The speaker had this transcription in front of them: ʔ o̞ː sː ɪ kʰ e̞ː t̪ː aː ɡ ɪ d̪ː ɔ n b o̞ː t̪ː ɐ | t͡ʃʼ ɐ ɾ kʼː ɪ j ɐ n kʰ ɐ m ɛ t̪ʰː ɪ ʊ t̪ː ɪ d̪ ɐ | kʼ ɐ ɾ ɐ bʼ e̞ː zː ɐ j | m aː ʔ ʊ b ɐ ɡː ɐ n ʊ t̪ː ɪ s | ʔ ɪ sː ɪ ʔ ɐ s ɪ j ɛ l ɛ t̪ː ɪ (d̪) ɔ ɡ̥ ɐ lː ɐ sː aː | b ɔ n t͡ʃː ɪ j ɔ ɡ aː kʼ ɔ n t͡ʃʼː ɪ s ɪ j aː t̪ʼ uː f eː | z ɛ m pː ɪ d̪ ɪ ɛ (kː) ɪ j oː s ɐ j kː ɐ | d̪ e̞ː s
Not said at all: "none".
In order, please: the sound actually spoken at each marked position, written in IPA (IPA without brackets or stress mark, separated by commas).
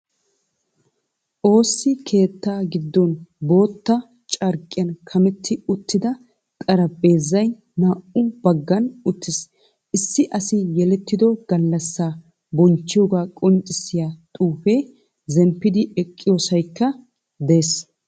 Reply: d̪, kʼː